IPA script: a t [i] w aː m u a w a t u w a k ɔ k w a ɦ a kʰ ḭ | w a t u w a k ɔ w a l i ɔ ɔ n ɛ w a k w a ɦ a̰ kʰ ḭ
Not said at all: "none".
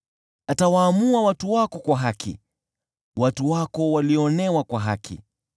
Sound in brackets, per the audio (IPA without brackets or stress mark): a